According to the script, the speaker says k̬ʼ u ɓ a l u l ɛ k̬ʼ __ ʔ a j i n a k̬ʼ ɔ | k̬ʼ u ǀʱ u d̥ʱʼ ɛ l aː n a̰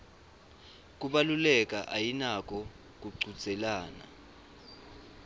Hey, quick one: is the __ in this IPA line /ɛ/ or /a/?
a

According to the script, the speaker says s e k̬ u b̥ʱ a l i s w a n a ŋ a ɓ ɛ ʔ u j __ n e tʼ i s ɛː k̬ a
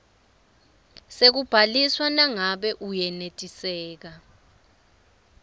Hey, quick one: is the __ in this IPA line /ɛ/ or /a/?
ɛ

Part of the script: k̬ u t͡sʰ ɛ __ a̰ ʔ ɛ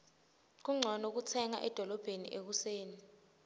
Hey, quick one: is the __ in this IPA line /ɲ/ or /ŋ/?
ŋ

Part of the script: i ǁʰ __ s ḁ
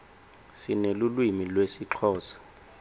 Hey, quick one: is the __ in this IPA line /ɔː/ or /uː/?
ɔː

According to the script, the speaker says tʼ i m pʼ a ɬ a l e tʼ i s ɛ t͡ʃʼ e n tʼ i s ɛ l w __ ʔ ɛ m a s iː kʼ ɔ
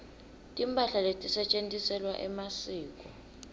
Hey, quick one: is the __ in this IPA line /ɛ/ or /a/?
a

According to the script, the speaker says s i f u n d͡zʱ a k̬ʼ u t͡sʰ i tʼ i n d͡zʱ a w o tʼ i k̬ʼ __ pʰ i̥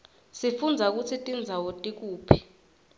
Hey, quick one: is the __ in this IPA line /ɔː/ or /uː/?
uː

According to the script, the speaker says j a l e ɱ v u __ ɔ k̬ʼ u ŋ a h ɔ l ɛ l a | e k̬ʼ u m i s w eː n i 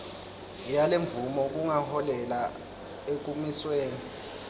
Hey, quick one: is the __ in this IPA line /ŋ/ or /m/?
m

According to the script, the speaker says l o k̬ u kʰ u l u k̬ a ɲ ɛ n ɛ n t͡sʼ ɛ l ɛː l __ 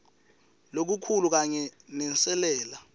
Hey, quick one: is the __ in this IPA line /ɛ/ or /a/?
a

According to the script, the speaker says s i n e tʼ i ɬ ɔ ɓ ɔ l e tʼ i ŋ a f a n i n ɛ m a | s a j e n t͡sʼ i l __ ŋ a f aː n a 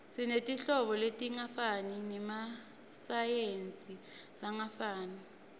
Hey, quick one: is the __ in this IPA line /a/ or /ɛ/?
a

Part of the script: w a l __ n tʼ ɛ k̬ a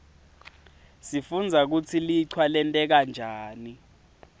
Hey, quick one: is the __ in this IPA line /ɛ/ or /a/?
ɛ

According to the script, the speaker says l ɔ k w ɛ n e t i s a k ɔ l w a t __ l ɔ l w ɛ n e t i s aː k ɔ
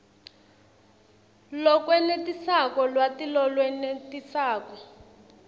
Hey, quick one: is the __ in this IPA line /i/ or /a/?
i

